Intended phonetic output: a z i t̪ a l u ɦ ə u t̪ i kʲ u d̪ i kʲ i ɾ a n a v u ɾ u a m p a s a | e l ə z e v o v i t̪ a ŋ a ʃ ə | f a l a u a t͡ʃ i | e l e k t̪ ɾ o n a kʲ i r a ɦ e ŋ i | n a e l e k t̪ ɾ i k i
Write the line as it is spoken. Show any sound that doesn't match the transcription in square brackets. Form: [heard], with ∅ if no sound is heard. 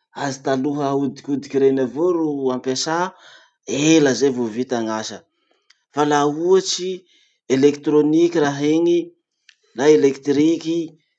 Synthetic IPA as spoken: a z i t̪ a l u ɦ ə u [d̪] i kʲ u d̪ i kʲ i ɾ [e] n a v [o] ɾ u a m p a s a | e l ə z e v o v i t̪ a ŋ a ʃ ə | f a l a u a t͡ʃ i | e l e k t̪ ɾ o n [i] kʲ i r a ɦ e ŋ i | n a e l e k t̪ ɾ i k i